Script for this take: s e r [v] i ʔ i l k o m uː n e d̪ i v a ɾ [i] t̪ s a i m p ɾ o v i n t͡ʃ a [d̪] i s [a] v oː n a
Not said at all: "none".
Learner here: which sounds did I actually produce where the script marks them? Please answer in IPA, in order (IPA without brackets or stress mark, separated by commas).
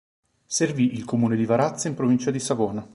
v, a, d̪, a